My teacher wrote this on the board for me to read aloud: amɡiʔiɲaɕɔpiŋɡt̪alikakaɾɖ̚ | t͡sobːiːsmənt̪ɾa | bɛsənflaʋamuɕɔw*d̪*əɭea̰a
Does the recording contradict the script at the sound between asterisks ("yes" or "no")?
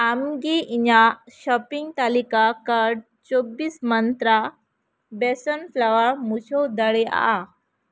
no